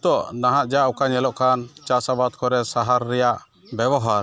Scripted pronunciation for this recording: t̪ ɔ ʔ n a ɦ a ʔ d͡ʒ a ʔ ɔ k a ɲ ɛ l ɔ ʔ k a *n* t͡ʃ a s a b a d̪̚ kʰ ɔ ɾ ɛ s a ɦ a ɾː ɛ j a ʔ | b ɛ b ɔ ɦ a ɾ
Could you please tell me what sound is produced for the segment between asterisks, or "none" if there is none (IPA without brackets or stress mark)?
n